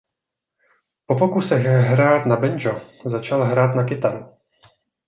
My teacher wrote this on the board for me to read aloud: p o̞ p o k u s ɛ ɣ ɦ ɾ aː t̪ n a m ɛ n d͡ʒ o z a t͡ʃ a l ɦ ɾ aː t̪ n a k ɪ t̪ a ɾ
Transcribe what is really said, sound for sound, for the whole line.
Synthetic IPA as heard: p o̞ p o k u s ɛ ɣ ɦ ɾ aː t̪ n a b ɛ n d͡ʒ o z a t͡ʃ a l ɦ ɾ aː t̪ n a k ɪ t̪ a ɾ